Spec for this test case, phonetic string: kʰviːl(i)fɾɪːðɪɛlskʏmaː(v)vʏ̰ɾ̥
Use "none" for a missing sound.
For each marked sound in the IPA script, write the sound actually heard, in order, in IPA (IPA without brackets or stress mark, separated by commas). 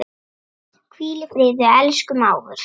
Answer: ɪ, w